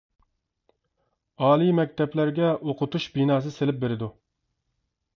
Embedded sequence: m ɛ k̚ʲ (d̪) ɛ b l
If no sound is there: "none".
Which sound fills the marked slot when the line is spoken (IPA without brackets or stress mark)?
t̪